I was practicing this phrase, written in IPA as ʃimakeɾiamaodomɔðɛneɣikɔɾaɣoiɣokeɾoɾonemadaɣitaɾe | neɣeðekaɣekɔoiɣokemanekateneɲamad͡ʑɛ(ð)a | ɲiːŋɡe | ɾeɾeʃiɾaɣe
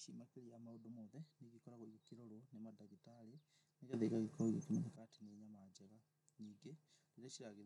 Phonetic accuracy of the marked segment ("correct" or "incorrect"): incorrect